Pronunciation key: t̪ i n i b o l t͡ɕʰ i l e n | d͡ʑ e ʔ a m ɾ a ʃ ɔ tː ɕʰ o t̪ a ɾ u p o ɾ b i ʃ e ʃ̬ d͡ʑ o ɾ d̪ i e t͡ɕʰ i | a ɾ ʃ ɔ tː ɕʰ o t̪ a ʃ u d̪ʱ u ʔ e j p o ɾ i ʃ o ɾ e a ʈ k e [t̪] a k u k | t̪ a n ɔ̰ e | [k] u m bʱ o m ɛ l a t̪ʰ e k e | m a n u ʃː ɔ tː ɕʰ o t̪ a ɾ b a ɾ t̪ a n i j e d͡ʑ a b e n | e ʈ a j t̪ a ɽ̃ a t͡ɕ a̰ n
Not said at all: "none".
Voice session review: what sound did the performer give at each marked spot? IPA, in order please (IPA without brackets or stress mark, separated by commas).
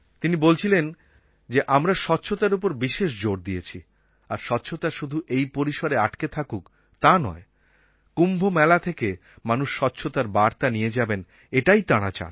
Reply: t̪ʰ, k